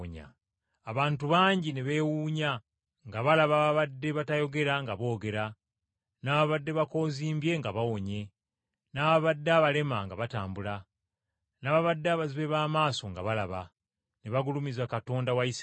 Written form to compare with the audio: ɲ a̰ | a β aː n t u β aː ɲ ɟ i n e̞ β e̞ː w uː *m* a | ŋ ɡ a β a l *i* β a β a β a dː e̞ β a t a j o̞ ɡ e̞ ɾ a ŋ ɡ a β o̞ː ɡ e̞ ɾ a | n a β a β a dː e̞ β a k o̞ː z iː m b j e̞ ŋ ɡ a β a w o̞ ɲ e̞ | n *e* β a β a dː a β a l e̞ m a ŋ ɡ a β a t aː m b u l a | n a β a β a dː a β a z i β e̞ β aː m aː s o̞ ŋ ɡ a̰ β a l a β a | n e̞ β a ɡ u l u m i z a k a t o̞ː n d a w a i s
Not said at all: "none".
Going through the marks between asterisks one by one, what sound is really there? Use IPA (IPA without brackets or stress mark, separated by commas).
ɲ, a, a